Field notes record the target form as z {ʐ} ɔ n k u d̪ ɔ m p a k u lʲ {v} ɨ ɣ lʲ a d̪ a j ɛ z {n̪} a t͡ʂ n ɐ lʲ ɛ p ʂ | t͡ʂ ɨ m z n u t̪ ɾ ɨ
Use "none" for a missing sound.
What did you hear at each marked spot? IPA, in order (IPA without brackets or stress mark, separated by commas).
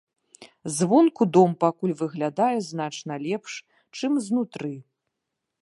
v, v, n̪